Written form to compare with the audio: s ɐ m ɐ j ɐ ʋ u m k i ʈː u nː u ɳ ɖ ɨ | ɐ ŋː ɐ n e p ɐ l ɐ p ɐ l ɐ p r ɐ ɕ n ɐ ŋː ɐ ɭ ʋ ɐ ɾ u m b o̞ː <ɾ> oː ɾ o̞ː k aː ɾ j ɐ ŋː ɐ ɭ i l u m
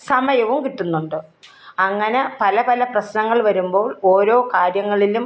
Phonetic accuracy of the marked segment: incorrect: ɭ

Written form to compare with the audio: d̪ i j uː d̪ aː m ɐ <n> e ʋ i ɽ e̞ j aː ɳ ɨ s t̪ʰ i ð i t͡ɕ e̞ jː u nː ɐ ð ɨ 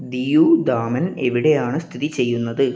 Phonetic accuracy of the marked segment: correct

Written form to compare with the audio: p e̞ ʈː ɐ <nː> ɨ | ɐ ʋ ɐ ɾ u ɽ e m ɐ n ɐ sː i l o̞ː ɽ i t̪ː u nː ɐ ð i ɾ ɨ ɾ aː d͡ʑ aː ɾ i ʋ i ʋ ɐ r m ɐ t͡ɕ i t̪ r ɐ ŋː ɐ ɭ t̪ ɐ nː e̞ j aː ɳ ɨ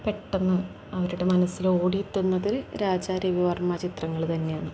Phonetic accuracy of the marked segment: correct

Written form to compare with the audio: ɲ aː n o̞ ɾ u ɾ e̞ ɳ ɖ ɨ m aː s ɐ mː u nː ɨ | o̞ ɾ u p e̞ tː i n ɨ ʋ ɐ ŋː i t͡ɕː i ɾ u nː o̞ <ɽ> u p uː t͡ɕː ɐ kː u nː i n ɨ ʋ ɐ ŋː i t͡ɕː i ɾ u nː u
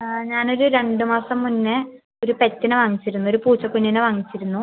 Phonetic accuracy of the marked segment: incorrect: ɾ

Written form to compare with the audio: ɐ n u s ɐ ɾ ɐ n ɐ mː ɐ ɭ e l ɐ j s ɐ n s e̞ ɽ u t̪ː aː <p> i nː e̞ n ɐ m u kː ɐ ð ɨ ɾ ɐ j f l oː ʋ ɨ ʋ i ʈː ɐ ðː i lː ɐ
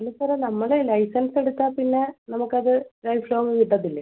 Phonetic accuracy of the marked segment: correct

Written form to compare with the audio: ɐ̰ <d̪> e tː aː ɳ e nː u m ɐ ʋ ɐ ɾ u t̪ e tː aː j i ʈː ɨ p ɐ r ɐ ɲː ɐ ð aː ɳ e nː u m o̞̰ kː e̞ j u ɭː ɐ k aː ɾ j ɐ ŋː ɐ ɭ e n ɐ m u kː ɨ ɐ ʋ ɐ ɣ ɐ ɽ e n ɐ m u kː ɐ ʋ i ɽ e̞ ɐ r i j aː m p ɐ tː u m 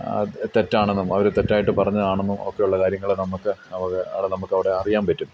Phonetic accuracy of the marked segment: incorrect: t̪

